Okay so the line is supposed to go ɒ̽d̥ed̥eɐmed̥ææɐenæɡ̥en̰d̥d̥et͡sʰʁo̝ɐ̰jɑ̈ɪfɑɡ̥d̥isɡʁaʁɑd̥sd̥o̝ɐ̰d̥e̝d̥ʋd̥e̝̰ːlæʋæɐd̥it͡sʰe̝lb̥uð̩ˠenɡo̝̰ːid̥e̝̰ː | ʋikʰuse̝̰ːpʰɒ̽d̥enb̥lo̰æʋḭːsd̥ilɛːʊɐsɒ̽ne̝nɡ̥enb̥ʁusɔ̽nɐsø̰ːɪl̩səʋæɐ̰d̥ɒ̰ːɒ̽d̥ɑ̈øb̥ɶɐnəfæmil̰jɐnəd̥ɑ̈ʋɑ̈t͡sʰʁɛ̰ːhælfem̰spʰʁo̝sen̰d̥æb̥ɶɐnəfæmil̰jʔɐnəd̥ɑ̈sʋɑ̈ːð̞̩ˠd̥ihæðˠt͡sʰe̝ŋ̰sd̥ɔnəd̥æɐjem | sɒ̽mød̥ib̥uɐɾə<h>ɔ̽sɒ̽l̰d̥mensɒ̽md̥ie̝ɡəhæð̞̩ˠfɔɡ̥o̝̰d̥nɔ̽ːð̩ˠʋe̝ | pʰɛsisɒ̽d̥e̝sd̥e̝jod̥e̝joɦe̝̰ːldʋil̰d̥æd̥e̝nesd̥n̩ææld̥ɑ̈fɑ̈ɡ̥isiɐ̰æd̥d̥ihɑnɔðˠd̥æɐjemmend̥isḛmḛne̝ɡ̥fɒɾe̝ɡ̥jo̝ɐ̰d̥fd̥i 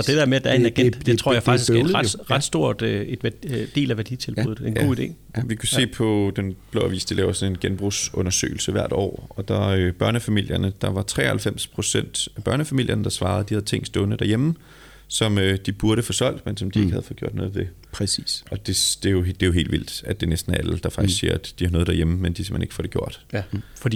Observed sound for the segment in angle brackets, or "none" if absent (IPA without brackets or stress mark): f